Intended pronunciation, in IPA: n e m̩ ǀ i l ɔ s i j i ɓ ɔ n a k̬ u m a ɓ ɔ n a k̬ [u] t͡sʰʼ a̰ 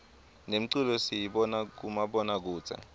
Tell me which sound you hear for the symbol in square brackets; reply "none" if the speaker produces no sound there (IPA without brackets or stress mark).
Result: uː